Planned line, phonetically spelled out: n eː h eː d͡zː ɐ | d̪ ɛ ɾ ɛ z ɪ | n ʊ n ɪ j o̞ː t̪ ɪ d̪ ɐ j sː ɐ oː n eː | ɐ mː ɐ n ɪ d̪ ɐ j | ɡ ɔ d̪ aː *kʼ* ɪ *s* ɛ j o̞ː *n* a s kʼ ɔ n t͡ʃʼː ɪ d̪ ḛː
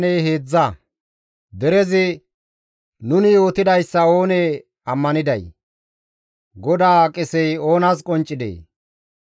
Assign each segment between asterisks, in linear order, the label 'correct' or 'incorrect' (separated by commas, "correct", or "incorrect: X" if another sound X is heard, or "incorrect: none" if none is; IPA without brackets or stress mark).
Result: correct, correct, correct